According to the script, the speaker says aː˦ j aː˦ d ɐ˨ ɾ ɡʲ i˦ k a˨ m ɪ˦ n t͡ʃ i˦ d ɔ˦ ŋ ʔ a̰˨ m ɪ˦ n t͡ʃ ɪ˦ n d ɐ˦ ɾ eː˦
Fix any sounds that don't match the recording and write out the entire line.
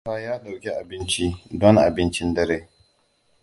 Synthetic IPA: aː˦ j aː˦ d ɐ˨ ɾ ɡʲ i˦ ʔ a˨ b ɪ˦ n t͡ʃ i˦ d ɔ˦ ŋ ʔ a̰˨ b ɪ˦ n t͡ʃ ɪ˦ n d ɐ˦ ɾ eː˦